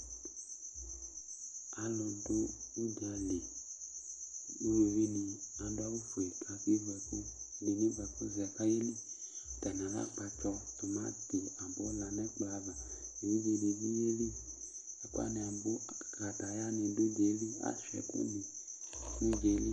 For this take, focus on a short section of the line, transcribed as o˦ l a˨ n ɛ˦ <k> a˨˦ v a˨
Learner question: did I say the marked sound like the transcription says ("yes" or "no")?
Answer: no